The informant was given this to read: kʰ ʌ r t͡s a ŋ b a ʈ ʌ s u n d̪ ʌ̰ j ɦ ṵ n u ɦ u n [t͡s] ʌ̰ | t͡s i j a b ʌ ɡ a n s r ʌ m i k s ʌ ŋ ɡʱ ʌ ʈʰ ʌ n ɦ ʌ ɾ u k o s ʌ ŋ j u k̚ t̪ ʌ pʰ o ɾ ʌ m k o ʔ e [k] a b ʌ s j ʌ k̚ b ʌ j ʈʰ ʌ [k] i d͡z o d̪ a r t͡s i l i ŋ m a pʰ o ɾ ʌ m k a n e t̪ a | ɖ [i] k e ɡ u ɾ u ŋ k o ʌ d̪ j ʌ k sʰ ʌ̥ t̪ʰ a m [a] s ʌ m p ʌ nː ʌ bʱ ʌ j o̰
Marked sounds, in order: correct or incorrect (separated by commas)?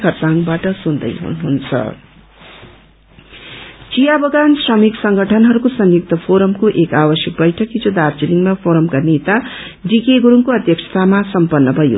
incorrect, correct, correct, correct, correct